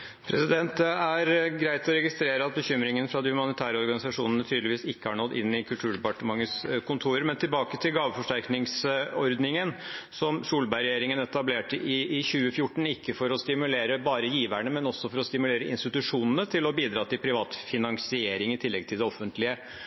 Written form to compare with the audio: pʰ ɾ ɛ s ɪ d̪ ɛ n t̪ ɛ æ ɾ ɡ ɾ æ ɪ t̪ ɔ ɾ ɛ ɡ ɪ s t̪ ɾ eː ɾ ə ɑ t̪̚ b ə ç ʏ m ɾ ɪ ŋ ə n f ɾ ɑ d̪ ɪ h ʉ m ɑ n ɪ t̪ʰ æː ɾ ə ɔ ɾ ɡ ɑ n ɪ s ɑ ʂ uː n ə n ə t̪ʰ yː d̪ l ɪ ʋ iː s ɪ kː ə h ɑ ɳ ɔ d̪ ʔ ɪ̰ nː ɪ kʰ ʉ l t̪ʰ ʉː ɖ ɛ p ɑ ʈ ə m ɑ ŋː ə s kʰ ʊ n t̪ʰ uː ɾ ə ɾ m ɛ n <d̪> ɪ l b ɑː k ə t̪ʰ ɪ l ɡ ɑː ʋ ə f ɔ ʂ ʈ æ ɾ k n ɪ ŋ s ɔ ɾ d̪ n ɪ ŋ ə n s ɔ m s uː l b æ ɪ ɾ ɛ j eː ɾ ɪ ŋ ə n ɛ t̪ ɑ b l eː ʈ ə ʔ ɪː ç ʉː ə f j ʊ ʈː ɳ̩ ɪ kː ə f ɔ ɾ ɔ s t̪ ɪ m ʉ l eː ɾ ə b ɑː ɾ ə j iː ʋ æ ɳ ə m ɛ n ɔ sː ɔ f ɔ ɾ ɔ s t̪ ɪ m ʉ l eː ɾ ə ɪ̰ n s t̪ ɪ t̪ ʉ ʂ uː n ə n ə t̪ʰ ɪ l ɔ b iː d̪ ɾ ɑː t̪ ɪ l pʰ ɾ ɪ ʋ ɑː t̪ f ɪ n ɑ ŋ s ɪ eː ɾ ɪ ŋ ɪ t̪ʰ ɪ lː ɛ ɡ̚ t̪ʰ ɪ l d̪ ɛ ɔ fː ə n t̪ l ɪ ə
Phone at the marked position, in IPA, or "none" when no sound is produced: t̪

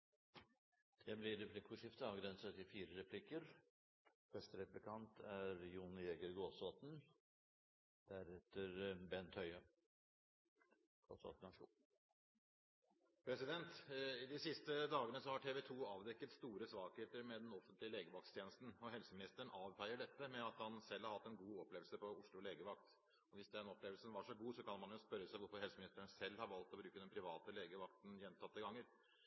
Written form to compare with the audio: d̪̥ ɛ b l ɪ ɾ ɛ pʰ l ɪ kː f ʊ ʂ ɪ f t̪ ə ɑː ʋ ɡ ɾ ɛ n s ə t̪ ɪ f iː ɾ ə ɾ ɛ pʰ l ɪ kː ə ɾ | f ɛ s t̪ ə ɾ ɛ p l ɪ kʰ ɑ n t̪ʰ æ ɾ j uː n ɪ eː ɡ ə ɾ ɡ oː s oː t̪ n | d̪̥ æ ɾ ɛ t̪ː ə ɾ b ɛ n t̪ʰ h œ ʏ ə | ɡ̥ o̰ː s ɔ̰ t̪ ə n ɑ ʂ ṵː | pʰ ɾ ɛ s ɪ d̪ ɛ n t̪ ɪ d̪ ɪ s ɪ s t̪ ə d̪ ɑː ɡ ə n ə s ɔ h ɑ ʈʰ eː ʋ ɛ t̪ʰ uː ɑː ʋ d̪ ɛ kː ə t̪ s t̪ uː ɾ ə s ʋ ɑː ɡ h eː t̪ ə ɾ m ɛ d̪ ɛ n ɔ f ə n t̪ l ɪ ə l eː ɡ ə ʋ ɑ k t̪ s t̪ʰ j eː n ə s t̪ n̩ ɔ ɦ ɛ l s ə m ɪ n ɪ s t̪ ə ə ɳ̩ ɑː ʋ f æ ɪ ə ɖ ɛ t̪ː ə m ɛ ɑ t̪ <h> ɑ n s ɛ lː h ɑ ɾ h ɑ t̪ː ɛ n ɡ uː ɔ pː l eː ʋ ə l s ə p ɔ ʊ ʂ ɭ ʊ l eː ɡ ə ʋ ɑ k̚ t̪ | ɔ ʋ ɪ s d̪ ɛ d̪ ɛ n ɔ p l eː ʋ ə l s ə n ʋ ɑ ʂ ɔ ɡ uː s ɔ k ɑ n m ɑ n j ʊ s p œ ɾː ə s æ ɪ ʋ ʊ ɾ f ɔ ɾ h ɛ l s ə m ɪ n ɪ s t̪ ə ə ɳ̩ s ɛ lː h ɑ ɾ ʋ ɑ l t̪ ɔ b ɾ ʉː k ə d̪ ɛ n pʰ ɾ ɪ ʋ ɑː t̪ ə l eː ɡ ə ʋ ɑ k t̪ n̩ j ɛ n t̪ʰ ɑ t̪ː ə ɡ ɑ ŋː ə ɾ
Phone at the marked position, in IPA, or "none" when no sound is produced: h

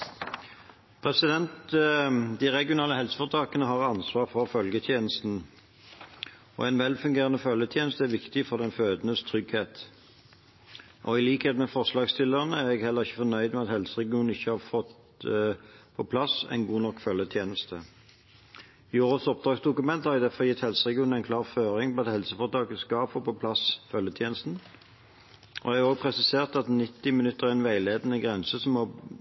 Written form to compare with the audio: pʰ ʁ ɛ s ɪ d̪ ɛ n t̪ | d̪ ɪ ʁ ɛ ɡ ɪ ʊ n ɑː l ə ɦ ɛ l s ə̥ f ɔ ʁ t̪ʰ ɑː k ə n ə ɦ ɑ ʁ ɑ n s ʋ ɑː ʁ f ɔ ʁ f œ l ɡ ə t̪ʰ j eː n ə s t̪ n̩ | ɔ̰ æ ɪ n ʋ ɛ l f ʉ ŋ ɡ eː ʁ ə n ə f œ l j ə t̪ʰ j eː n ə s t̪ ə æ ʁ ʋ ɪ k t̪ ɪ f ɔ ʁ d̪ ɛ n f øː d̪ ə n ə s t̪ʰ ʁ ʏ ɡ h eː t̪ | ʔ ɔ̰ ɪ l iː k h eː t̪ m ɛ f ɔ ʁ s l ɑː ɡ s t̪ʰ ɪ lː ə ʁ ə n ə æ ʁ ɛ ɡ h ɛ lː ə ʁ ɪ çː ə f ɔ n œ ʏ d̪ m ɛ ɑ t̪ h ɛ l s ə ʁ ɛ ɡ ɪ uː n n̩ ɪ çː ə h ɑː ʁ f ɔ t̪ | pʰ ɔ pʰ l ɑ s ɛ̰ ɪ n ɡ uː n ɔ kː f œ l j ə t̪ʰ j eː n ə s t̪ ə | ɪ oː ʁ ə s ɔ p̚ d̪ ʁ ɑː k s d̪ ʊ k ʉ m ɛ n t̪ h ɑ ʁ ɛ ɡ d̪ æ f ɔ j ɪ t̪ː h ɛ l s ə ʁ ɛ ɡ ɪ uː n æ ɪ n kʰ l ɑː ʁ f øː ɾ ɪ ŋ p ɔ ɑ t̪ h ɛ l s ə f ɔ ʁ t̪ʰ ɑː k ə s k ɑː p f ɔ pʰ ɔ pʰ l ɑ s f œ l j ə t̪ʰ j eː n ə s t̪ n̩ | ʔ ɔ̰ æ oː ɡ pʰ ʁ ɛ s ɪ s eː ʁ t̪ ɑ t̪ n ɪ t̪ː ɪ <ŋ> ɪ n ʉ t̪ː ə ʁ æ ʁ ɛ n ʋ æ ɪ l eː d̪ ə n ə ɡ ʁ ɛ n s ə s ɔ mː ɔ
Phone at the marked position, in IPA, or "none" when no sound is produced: m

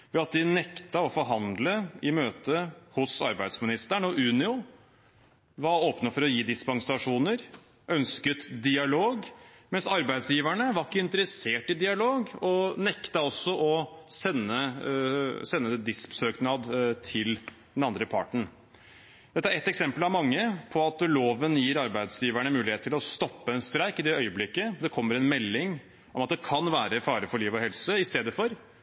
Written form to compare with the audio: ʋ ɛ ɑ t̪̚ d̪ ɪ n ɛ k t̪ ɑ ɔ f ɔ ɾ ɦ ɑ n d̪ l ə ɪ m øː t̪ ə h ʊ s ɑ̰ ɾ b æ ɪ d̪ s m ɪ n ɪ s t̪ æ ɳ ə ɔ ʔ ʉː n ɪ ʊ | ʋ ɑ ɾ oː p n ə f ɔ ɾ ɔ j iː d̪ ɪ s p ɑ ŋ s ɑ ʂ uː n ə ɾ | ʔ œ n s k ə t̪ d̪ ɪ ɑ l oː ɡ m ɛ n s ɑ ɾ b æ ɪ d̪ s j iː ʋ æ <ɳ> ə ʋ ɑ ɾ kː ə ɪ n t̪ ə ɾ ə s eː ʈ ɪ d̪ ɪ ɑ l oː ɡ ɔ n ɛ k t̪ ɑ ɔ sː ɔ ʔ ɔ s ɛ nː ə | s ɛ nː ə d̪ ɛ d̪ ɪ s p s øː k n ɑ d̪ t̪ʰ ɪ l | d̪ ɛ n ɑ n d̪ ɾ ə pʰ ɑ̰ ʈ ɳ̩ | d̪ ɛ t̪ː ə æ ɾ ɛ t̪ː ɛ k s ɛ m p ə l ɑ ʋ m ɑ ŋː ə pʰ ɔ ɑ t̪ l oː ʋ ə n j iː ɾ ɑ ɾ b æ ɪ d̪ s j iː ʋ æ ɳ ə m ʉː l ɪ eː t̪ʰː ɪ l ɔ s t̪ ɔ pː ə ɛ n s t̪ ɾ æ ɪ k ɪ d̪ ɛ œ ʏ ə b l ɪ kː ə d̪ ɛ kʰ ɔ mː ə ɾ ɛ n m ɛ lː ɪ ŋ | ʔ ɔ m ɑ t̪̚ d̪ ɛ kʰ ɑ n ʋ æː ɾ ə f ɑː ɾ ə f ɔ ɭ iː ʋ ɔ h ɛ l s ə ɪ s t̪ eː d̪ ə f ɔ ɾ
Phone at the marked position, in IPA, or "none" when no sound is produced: ɳ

